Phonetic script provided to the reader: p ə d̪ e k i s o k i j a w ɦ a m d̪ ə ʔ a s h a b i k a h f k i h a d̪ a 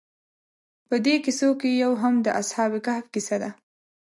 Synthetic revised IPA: p ə d̪ e k i s o k e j a w ɦ a m d̪ ə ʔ a s h ɑ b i k a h f k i s a d̪ a